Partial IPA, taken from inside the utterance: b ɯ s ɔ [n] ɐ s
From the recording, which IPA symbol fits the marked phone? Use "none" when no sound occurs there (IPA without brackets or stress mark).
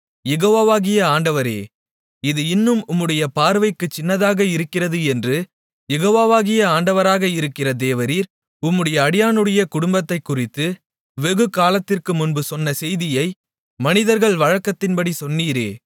nː